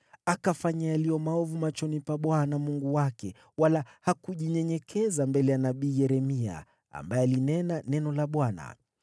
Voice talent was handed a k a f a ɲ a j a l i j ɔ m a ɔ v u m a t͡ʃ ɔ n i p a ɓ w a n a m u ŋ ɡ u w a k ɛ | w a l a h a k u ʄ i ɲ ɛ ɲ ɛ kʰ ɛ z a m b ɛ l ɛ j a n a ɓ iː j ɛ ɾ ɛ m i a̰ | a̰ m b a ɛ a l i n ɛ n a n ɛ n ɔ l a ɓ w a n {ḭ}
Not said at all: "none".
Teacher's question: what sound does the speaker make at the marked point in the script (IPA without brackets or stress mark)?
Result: a̰